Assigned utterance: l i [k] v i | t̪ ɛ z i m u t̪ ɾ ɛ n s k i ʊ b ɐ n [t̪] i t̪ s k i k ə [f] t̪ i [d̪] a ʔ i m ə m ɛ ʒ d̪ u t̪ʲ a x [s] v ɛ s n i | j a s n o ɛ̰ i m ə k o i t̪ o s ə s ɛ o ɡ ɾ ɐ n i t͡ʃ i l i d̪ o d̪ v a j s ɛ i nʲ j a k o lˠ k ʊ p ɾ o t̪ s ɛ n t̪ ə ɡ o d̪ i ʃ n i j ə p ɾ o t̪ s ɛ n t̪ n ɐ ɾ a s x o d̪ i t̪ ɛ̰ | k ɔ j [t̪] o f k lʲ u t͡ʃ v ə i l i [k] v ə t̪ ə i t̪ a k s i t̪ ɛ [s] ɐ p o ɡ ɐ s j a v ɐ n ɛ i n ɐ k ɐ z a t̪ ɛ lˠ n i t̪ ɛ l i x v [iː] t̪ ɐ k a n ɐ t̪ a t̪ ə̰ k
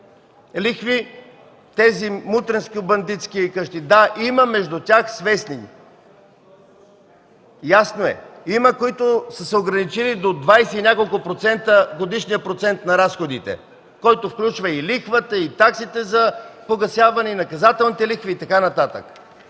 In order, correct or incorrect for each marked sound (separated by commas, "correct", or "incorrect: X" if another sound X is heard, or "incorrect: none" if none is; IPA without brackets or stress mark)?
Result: incorrect: x, incorrect: d̪, incorrect: ʃ, correct, correct, correct, incorrect: x, incorrect: z, correct